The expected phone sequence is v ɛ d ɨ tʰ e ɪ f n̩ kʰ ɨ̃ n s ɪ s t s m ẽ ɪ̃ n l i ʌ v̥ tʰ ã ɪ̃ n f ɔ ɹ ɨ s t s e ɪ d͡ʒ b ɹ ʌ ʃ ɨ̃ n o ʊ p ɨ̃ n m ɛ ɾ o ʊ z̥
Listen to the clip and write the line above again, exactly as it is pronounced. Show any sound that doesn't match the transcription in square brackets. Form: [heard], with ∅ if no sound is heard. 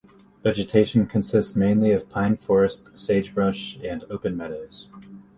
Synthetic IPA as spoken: v ɛ [d͡ʒ] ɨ tʰ e ɪ [ʃ] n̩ kʰ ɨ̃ n s ɪ s t s m ẽ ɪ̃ n l i ʌ v̥ [pʰ] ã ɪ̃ n f ɔ ɹ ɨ s t s e ɪ d͡ʒ b ɹ ʌ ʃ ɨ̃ n o ʊ p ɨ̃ n m ɛ ɾ o ʊ z̥

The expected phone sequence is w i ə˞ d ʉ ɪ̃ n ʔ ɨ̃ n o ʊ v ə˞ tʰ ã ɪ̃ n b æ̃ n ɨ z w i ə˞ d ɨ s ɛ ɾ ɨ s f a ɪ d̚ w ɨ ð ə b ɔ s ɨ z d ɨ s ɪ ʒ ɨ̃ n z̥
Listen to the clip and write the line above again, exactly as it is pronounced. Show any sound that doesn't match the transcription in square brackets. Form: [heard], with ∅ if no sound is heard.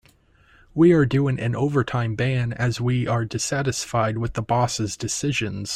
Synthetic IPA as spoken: w i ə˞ d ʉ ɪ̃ [ŋ] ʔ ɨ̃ n o ʊ v ə˞ tʰ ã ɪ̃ [m] b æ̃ n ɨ z w i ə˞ d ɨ s [æ] ɾ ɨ s f a ɪ d̚ w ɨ ð ə b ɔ s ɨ z d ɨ s ɪ ʒ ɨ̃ n z̥

